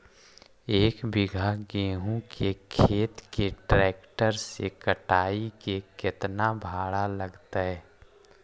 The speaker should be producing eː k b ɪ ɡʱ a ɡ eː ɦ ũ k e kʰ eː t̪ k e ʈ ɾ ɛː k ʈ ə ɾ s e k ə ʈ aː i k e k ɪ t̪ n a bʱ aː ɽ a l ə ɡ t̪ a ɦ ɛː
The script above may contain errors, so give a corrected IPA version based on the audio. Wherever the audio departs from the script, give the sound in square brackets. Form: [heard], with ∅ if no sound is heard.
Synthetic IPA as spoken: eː k b ɪ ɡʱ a ɡ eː ɦ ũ k e kʰ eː t̪ k e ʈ ɾ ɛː k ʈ ə ɾ s e k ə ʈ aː i k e k ɪ t̪ n a bʱ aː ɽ a l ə ɡ t̪ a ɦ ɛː